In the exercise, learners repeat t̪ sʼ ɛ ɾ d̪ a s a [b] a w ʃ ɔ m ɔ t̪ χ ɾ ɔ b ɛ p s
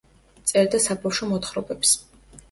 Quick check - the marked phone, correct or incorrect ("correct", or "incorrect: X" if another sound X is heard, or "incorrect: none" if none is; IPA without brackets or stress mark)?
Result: correct